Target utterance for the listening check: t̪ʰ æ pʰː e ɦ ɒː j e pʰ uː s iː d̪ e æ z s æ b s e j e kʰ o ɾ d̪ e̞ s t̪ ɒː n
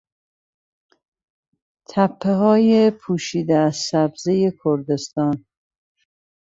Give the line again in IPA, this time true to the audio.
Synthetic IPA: t̪ʰ æ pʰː e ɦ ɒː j e pʰ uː ʃ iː d̪ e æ z s æ b z e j e kʰ o ɾ d̪ e̞ s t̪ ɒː n